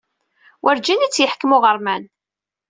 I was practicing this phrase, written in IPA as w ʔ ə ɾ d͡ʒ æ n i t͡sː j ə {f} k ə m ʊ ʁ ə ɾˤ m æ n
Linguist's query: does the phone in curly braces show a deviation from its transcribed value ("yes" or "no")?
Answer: yes